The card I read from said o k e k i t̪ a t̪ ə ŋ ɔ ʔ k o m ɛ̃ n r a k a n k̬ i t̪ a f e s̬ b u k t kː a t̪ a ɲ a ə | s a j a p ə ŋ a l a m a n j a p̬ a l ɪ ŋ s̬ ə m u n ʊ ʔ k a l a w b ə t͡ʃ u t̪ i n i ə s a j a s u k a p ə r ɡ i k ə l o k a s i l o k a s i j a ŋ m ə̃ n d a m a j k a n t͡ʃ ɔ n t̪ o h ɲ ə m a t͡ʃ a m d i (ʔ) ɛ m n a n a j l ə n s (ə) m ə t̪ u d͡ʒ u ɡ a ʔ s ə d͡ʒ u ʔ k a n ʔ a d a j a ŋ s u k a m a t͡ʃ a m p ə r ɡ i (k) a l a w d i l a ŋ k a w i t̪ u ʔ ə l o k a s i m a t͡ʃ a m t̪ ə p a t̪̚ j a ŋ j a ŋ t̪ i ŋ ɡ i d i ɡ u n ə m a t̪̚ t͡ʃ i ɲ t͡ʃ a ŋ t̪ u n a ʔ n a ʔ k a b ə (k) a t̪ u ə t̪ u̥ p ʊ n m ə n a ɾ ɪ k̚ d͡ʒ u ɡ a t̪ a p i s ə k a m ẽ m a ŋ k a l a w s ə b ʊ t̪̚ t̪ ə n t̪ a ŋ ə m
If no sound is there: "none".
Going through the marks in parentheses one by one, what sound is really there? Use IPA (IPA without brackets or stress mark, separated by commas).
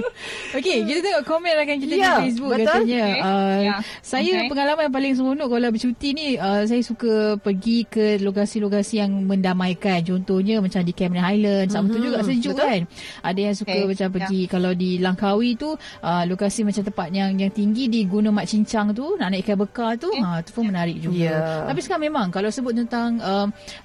k, a, k, k